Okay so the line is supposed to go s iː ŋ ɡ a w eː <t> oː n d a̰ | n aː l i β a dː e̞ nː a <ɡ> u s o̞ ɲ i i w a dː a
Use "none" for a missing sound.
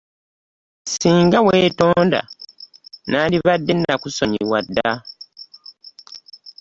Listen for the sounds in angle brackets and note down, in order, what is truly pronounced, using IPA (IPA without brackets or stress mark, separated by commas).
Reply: t, k